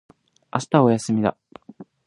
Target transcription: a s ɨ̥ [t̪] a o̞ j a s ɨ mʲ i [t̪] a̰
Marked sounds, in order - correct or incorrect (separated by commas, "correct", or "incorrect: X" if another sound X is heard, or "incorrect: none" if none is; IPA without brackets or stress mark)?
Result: correct, incorrect: d̪